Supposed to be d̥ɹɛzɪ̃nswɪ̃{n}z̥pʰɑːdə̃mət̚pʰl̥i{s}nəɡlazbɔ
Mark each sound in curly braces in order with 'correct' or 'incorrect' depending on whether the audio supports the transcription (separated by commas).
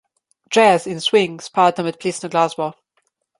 incorrect, correct